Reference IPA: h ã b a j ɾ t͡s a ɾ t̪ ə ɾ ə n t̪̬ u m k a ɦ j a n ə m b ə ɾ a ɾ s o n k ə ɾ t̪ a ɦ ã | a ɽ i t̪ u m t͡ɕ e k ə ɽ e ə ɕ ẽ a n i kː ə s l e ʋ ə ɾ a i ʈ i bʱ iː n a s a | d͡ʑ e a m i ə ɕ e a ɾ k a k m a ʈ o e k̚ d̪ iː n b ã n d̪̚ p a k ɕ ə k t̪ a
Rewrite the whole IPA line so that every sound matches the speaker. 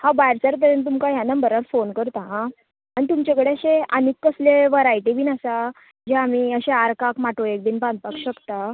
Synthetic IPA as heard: h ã b a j ɾ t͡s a ɾ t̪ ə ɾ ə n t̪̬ u m k a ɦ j a n ə m b ə ɾ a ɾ f o n k ə ɾ t̪ a ɦ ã | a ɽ i t̪ u m t͡ɕ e k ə ɽ e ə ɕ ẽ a n i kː ə s l e ʋ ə ɾ a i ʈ i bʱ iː n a s a | d͡ʑ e a m i ə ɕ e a ɾ k a k m a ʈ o e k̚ d̪ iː n b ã n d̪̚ p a k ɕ ə k t̪ a